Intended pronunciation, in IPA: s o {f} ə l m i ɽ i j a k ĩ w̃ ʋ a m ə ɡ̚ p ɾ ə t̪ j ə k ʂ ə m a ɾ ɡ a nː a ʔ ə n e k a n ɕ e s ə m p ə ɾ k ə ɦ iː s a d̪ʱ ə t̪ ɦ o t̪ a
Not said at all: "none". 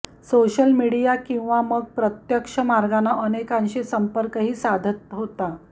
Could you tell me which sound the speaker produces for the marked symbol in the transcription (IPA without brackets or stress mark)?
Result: ɕ